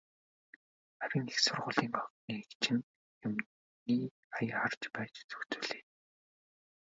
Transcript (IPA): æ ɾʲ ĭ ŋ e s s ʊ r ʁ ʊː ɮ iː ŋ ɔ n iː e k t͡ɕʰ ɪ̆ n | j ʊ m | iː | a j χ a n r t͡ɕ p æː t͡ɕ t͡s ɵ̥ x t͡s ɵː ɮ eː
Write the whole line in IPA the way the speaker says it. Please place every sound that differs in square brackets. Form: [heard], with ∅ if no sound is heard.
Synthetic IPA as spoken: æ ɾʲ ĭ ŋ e [x] s ʊ r ʁ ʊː ɮ iː ŋ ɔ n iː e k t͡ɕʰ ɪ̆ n | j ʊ m | iː | a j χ a [∅] r t͡ɕ p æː t͡ɕ t͡s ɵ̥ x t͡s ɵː ɮ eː